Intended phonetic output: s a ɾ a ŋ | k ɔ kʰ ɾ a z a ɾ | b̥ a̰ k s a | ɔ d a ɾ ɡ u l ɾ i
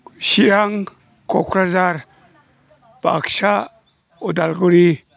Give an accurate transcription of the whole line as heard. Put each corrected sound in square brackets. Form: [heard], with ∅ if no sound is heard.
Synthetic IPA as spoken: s [i] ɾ a ŋ | k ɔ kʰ ɾ a z a ɾ | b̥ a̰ k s a | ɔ d a [l] ɡ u [∅] ɾ i